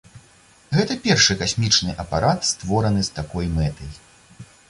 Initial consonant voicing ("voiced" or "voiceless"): voiced